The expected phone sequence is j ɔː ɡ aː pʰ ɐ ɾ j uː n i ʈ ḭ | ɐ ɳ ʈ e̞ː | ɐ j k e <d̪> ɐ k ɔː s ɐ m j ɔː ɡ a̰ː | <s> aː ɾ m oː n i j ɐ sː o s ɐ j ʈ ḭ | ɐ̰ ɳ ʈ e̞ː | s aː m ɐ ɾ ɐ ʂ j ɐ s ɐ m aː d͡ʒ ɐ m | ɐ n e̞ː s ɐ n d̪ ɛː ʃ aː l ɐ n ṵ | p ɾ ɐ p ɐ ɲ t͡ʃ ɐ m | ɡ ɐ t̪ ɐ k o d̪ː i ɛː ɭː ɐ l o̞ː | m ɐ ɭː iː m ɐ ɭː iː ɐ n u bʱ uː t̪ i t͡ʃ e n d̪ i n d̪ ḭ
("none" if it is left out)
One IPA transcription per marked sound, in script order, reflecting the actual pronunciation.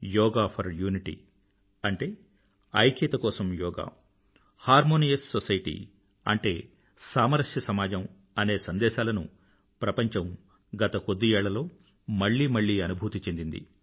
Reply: t̪, h

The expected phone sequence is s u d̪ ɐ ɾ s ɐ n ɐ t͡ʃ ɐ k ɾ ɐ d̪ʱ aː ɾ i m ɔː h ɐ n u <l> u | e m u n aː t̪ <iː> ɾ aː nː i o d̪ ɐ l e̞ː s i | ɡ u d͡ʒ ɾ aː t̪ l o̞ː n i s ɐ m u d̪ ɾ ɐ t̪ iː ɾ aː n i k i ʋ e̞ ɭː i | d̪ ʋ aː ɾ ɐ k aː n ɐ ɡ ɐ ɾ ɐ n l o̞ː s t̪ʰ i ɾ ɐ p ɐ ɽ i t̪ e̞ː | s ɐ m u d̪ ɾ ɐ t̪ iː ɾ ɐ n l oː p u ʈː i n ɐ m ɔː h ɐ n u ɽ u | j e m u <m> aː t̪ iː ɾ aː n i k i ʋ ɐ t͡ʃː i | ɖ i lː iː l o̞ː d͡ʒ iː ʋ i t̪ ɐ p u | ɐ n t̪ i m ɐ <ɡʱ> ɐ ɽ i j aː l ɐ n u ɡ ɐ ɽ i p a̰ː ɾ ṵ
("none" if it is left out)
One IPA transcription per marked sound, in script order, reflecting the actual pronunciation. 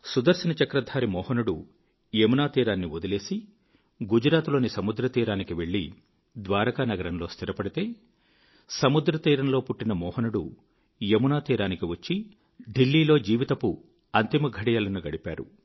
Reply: ɽ, iː, n, ɡʱ

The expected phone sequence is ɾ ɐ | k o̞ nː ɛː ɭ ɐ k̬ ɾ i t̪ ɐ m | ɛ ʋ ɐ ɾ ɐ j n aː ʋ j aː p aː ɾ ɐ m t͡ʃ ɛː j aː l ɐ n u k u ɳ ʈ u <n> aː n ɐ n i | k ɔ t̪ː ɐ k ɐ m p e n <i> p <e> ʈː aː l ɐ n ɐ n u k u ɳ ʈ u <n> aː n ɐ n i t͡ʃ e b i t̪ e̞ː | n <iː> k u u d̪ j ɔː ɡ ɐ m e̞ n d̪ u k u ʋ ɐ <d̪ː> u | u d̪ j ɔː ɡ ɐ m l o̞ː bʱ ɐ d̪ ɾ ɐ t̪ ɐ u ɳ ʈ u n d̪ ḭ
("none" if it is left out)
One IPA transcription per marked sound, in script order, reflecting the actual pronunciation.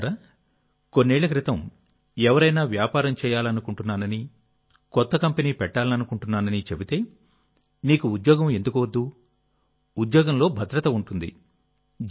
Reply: nː, iː, ɛ, nː, iː, d̪ː

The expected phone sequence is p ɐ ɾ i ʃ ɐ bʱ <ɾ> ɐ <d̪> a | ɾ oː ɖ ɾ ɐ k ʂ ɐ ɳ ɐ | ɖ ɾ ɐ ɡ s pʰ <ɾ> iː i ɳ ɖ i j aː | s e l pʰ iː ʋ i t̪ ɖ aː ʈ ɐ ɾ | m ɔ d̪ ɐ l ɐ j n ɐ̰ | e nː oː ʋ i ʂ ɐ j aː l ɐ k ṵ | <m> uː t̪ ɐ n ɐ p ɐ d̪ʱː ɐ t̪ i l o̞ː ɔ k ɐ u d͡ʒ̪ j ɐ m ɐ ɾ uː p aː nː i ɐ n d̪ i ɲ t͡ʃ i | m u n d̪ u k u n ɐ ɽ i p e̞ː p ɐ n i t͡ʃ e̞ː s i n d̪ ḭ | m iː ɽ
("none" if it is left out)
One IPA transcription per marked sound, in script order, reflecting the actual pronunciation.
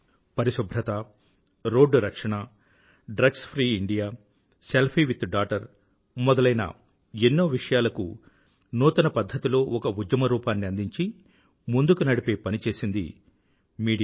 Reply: ɾ, t̪, ɾ, n

